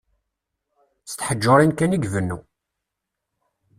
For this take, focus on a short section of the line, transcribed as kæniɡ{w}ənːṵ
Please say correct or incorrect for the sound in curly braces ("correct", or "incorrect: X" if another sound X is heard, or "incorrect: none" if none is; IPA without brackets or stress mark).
incorrect: v